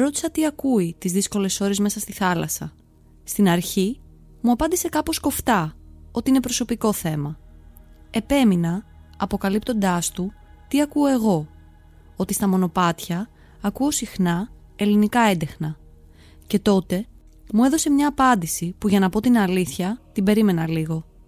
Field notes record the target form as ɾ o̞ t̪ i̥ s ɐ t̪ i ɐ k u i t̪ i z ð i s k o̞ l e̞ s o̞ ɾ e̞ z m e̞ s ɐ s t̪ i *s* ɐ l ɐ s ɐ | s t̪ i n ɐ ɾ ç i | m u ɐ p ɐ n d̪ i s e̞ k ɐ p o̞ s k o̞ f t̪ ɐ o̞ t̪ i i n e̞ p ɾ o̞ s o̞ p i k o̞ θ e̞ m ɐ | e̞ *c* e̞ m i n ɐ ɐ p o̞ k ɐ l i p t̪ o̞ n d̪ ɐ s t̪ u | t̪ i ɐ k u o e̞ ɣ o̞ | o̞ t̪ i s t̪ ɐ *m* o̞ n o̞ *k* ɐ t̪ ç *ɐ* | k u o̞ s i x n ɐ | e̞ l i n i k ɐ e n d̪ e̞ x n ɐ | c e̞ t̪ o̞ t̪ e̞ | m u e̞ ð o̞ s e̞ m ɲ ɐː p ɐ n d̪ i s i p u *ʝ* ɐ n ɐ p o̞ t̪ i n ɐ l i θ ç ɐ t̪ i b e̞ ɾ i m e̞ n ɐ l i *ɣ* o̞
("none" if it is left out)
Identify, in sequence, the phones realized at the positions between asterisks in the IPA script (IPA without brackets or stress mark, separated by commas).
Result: θ, p, m, p, ɐː, ʝ, ɣ